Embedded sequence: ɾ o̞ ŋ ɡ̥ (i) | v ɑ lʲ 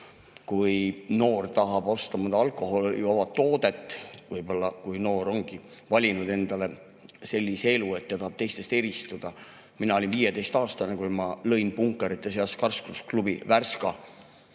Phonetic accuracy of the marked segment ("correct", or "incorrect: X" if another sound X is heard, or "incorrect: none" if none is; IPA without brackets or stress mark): correct